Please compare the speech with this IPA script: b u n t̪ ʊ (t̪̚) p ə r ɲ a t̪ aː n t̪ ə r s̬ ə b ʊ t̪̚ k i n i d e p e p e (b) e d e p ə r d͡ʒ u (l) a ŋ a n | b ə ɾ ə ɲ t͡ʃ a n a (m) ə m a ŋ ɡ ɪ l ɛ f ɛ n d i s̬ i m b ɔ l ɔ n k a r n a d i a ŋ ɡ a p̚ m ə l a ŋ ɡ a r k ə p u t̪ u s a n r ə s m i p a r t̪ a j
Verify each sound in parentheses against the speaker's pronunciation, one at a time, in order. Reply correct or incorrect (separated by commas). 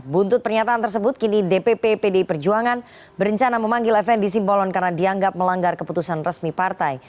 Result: correct, incorrect, incorrect, correct